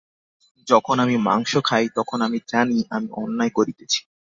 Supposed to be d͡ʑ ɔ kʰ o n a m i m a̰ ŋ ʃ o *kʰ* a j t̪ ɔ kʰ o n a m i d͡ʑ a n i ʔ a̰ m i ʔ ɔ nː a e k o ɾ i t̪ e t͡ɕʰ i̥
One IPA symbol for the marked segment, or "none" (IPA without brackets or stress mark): kʰ